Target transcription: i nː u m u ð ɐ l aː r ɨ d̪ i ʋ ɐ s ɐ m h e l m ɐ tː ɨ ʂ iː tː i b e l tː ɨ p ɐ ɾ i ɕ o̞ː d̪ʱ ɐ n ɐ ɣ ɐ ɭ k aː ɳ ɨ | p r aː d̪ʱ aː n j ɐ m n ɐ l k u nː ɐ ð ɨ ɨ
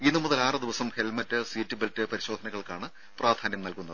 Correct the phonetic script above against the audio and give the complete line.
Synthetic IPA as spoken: i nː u m u ð ɐ l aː r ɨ d̪ i ʋ ɐ s ɐ m h e l m ɐ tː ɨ s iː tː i b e l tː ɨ p ɐ ɾ i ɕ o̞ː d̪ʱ ɐ n ɐ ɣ ɐ ɭ k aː ɳ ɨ | p r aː d̪ʱ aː n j ɐ m n ɐ l k u nː ɐ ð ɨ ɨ